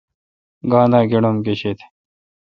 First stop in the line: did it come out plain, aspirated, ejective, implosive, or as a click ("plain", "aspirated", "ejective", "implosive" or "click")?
plain